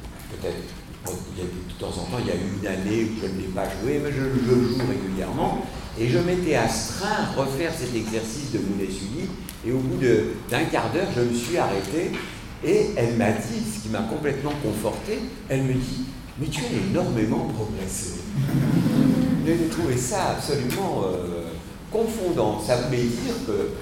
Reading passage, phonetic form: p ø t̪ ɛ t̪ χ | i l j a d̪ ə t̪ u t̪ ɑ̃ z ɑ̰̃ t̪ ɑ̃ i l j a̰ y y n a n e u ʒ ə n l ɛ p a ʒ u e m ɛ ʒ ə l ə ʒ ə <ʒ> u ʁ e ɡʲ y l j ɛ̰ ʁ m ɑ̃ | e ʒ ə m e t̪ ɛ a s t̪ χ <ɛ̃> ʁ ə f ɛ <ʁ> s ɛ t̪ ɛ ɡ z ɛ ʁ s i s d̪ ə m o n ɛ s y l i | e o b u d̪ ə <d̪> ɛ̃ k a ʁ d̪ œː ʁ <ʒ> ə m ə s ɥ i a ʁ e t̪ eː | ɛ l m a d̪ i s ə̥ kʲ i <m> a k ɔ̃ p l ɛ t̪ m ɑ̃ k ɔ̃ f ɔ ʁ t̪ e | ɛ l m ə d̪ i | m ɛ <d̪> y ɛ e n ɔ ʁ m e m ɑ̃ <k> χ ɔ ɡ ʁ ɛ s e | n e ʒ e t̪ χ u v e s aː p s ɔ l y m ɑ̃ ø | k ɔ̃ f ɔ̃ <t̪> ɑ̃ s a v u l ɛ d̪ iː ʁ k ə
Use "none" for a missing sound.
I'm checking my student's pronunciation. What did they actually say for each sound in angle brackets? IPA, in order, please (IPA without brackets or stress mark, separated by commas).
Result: ʒ, ɛ̃, ʁ, d̪, ʒ, m, t̪, p, d̪